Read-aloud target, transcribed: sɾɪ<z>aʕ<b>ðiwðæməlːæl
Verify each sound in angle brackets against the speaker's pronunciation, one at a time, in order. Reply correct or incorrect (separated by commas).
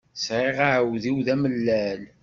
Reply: incorrect, incorrect